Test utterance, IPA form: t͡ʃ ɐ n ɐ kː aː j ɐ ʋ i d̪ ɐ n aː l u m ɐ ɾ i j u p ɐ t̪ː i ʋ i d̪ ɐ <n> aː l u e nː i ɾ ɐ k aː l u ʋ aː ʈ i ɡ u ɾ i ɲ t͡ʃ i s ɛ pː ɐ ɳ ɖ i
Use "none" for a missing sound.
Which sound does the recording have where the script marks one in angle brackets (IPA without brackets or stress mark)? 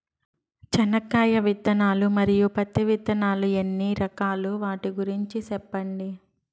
n